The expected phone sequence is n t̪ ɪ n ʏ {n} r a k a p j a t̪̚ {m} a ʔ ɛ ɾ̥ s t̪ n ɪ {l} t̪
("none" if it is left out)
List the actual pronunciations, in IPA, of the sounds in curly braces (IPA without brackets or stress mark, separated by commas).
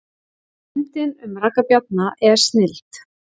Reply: m, n, l